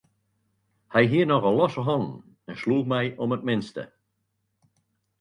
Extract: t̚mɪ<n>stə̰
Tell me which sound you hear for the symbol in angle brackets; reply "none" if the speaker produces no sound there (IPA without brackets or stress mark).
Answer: n